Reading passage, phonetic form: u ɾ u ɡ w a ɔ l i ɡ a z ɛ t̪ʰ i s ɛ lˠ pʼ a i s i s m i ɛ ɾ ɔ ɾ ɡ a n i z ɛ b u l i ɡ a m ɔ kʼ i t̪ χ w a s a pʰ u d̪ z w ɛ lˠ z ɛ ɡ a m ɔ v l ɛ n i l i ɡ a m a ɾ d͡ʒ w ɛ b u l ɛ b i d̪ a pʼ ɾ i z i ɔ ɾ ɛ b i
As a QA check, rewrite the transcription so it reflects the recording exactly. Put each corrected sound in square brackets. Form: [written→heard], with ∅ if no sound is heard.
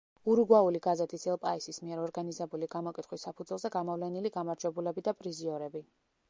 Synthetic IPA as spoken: u ɾ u ɡ w a [ɔ→u] l i ɡ a z ɛ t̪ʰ i s ɛ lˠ pʼ a i s i s m i ɛ ɾ ɔ ɾ ɡ a n i z ɛ b u l i ɡ a m ɔ kʼ i t̪ χ w [a→i] s a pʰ u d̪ z w ɛ lˠ z ɛ ɡ a m ɔ v l ɛ n i l i ɡ a m a ɾ d͡ʒ w ɛ b u l ɛ b i d̪ a pʼ ɾ i z i ɔ ɾ ɛ b i